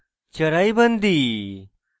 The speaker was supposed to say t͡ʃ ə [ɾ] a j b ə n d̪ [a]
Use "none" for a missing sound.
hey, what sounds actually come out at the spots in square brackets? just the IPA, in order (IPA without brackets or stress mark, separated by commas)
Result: ɾ, i